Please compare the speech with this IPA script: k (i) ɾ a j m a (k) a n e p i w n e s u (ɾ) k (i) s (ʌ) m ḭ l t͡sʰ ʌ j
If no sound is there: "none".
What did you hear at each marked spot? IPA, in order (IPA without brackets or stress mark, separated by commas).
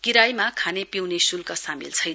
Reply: i, kʰ, l, a, a